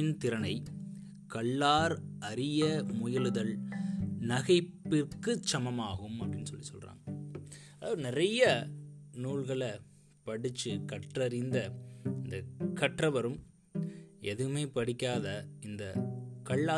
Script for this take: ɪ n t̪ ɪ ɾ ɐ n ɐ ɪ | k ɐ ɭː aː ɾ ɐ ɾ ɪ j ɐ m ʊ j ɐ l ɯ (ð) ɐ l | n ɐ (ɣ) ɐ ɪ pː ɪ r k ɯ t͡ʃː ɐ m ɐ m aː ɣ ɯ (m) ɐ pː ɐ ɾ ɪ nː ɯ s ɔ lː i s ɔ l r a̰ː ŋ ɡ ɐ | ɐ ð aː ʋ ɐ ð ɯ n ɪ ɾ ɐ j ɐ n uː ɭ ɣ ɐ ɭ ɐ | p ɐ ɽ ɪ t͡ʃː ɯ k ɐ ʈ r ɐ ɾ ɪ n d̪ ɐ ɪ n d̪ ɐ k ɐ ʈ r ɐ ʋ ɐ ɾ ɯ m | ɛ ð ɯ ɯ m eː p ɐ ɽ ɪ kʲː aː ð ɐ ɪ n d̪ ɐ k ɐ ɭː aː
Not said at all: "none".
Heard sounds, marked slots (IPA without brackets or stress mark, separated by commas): ð, ɣ, m